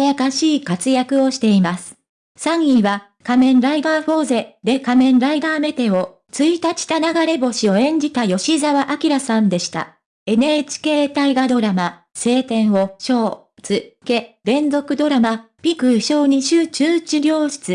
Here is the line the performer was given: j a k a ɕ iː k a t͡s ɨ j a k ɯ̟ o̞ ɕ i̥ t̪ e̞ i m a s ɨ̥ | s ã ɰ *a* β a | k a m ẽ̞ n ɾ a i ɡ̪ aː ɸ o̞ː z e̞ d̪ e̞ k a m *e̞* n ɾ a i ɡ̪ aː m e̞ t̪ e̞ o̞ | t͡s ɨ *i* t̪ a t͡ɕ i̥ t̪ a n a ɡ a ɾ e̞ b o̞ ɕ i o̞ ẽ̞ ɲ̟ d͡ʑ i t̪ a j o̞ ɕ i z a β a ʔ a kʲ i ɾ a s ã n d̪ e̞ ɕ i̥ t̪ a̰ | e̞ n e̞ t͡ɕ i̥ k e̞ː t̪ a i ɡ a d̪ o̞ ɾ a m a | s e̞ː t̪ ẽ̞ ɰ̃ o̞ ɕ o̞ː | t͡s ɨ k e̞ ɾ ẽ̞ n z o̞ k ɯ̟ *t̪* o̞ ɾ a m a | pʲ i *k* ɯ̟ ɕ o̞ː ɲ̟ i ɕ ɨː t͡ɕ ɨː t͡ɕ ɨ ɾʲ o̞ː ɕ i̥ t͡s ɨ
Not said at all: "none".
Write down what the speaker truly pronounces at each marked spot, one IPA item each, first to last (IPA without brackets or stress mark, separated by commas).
i, ẽ̞, i, d̪, k